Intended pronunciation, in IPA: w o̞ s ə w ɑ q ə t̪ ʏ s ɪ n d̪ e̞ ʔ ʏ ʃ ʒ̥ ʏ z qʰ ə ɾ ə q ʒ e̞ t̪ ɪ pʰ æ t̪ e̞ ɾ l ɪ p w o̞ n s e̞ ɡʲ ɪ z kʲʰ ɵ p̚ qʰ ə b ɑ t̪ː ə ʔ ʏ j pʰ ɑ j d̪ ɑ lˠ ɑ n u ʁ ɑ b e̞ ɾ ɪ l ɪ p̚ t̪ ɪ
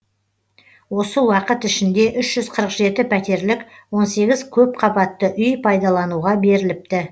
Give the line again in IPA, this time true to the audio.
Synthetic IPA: w o̞ s ə w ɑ q ə t̪ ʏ ʃ ɪ n d̪ e̞ ʔ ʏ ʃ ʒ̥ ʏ z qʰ ə ɾ ə q ʒ e̞ t̪ ɪ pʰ æ t̪ e̞ ɾ l ɪ k w o̞ n s e̞ ɡʲ ɪ z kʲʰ ɵ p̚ qʰ ɑ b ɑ t̪ː ə ʔ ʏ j pʰ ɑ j d̪ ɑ lˠ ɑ n u ʁ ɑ b e̞ ɾ ɪ l ɪ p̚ t̪ ɪ

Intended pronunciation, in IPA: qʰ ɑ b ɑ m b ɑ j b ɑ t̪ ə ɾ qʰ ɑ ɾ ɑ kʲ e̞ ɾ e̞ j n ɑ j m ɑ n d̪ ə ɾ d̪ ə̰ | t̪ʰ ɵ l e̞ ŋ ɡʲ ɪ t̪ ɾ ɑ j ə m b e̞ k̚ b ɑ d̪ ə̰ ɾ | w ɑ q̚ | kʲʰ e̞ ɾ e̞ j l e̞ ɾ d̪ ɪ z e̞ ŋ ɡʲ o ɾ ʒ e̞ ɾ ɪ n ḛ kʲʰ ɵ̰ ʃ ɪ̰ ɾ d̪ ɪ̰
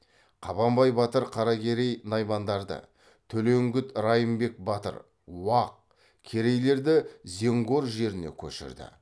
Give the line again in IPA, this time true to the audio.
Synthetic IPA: qʰ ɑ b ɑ m b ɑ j b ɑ t̪ ə ɾ qʰ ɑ ɾ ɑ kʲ e̞ ɾ e̞ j n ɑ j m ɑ n d̪ ɑ ɾ d̪ ə̰ | t̪ʰ ɵ l e̞ ŋ ɡʲ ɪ t̪ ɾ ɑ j ə m b e̞ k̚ b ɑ t̪ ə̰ ɾ | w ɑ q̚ | kʲʰ e̞ ɾ e̞ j l e̞ ɾ d̪ ɪ z e̞ ŋ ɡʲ o ɾ ʒ e̞ ɾ ɪ n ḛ kʲʰ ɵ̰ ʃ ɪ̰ ɾ d̪ ɪ̰

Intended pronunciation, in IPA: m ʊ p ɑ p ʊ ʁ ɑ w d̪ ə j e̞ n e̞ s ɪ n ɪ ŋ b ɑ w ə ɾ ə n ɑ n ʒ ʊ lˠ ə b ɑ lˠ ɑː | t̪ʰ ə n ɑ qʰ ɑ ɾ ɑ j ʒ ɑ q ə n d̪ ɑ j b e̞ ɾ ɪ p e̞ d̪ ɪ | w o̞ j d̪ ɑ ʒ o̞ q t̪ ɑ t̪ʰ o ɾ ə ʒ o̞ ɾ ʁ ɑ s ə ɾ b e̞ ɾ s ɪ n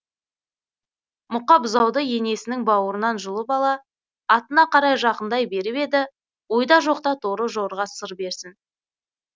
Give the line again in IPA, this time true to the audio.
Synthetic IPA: m ʊ q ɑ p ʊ z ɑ w d̪ ə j e̞ n e̞ s ɪ n ɪ ŋ b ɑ w ə ɾ ə n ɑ n ʒ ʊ lˠ ə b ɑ lˠ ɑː | t̪ ə n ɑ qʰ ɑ ɾ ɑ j ʒ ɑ q ə n d̪ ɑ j b e̞ ɾ ɪ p e̞ d̪ ɪ | w o̞ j d̪ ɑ ʒ o̞ q t̪ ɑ t̪ʰ o ɾ ə ʒ o̞ ɾ ʁ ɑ s ə ɾ b e̞ ɾ s ɪ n

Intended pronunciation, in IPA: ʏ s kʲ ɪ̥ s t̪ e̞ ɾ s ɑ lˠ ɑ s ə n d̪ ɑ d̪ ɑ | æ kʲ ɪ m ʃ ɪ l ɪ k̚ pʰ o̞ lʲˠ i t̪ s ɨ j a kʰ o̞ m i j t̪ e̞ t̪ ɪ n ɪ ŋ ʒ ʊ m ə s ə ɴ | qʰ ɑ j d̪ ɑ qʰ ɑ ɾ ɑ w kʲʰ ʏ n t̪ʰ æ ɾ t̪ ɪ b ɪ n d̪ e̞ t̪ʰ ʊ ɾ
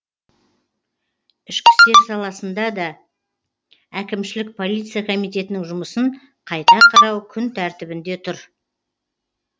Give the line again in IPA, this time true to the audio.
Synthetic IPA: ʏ ʃ kʲ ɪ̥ s t̪ e̞ ɾ s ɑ lˠ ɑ s ə n d̪ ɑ d̪ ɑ | æ kʲ ɪ m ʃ ɪ l ɪ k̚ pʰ o̞ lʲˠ i t̪ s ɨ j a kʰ o̞ m i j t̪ e̞ t̪ ɪ n ɪ ŋ ʒ ʊ m ə s ə ɴ | qʰ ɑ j t̪ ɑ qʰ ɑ ɾ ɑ w kʲʰ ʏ n t̪ʰ æ ɾ t̪ ɪ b ɪ n d̪ e̞ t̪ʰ ʊ ɾ

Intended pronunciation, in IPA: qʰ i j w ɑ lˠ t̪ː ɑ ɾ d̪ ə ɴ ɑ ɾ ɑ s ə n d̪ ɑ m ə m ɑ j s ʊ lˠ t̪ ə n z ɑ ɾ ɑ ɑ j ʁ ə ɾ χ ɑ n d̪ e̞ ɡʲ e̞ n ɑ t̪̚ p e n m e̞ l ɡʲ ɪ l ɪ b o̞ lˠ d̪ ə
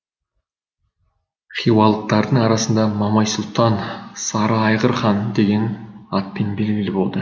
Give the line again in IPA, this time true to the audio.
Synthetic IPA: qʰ i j w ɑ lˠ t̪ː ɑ ɾ d̪ ə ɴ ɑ ɾ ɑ s ə n d̪ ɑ m ɑ m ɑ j s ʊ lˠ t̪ ɑ n s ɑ ɾ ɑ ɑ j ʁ ə ɾ χ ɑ n d̪ e̞ ɡʲ e̞ n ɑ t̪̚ p e n b e̞ l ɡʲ ɪ l ɪ b o̞ lˠ d̪ ə

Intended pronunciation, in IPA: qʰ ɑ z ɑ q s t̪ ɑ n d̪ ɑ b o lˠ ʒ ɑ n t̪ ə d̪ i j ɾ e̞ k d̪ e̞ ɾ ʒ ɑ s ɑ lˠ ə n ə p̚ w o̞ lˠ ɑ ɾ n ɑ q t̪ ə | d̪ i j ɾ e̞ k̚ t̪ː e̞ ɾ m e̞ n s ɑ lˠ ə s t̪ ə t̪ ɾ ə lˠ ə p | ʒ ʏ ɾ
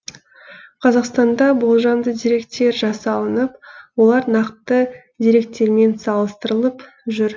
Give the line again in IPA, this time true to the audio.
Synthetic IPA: qʰ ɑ z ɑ q s t̪ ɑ n d̪ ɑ b o lˠ ʒ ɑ n d̪ ə d̪ i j ɾ e̞ k t̪ e̞ ɾ ʒ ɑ s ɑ lˠ ə n ə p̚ w o̞ lˠ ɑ ɾ n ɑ q t̪ ə | d̪ i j ɾ e̞ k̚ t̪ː e̞ ɾ m e̞ n s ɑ lˠ ə s t̪ ə ɾ ə lˠ ə p | ʒ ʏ ɾ

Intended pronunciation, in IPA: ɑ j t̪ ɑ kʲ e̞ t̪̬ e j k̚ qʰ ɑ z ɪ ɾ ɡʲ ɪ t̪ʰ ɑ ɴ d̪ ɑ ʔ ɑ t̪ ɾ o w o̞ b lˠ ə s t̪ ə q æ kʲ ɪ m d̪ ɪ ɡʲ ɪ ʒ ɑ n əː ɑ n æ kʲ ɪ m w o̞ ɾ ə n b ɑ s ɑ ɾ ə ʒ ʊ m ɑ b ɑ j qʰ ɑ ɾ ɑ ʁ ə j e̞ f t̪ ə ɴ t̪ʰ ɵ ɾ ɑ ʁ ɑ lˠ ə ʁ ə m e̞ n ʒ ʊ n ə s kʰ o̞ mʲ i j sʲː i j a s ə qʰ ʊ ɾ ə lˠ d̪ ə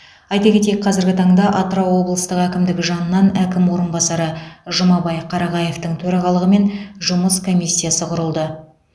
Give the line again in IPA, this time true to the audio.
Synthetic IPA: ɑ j t̪ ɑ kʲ e̞ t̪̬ e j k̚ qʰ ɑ z ɪ ɾ ɡʲ ɪ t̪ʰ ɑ ɴ d̪ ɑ ʔ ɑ t̪ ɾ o w o̞ b lˠ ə s t̪ ə q æ kʲ ɪ m d̪ ɪ ɡʲ ɪ ʒ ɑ n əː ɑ n æ kʲ ɪ m w o̞ ɾ ə n b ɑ s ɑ ɾ ə ʒ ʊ m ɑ b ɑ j qʰ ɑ ɾ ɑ ʁ ɑ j e̞ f t̪ ə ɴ t̪ʰ ɵ ɾ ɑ ʁ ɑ lˠ ə ʁ ə m e̞ n ʒ ʊ m ə s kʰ o̞ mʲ i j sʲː i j a s ə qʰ ʊ ɾ ə lˠ d̪ ə

